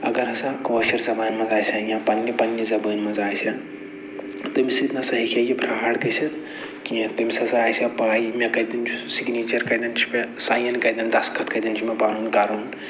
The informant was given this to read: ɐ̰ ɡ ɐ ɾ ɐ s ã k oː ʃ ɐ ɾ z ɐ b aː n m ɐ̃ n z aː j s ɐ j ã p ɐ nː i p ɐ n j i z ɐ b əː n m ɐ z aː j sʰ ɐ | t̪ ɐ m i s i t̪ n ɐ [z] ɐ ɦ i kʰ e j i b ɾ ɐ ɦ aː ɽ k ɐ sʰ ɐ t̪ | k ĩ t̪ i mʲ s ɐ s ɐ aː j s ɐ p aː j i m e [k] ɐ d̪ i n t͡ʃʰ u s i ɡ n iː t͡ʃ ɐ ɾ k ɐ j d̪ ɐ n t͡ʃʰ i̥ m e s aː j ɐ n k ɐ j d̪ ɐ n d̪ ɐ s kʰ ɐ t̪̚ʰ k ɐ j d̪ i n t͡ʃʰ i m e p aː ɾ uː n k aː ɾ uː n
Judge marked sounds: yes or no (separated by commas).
no, yes